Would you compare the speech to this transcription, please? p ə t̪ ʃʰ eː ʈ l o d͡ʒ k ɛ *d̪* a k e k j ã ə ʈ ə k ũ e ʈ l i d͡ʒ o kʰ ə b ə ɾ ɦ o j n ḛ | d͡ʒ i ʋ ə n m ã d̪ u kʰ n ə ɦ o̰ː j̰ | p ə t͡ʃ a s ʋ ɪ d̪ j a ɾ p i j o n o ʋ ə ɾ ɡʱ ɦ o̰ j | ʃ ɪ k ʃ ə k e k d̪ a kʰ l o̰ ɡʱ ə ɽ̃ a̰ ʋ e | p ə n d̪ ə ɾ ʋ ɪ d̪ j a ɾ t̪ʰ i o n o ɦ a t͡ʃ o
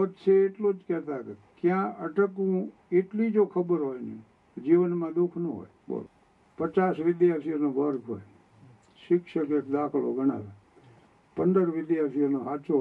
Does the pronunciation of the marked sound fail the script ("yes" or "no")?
yes